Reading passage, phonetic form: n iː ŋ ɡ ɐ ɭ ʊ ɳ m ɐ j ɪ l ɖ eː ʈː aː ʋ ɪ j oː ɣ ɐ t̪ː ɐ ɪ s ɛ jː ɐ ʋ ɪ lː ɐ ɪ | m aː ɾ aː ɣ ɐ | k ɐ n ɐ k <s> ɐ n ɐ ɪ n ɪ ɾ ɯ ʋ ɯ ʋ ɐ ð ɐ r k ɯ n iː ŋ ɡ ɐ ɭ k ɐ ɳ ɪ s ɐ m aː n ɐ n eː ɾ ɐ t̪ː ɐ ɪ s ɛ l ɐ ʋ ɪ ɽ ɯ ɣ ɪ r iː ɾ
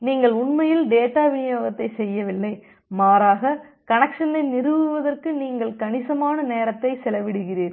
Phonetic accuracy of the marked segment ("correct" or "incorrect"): incorrect